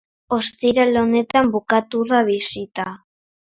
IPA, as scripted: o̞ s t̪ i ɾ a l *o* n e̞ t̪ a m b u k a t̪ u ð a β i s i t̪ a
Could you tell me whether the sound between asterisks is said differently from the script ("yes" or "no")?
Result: no